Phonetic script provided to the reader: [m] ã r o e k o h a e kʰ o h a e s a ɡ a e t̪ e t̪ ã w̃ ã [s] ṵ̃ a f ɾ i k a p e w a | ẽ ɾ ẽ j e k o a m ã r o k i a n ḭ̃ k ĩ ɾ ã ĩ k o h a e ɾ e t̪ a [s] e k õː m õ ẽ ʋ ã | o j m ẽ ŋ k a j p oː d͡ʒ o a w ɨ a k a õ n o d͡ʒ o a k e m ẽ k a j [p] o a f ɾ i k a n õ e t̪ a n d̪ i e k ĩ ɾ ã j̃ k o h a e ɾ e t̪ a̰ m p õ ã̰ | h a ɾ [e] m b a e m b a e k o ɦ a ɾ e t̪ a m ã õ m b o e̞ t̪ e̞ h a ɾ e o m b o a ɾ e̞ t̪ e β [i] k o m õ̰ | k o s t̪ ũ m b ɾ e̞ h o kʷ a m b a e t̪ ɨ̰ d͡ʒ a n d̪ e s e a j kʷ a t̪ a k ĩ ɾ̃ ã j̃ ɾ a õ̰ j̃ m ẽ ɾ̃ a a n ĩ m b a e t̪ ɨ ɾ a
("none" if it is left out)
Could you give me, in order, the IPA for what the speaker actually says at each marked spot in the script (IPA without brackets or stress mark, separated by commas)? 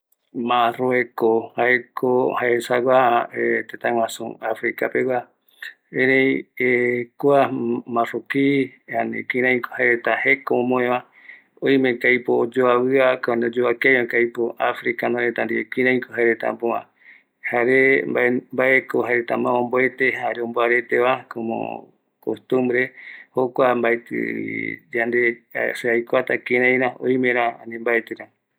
m, s, h, p, e, a